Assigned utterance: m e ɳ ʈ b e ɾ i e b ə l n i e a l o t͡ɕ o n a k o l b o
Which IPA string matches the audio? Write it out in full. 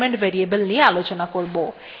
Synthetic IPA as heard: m e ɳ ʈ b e ɾ i e b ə l n i e a l o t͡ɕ o n a k o ɾ b o